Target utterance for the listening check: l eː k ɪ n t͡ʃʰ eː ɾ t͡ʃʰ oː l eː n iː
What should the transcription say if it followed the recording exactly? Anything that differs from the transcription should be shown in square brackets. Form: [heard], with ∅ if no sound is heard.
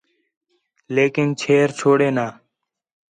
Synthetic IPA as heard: l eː k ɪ n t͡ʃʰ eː ɾ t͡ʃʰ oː [ɽ] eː n [aː]